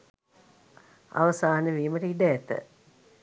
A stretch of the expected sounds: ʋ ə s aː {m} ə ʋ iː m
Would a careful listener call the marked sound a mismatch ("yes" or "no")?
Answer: yes